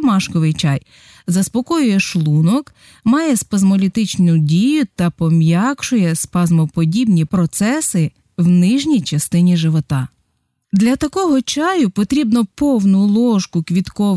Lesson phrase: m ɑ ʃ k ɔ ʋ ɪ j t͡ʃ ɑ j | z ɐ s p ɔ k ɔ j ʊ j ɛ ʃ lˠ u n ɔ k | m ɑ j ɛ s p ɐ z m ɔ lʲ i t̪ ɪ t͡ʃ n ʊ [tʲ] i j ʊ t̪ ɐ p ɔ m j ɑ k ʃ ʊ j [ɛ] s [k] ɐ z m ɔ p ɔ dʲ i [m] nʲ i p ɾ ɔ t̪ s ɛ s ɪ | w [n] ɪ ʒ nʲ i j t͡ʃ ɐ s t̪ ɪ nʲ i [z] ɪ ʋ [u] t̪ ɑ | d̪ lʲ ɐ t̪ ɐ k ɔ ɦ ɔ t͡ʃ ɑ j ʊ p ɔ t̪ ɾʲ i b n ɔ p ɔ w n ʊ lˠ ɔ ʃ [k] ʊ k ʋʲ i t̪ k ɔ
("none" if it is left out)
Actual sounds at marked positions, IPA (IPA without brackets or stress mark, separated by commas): dʲ, ɛ, p, b, n, ʒ, ɔ, k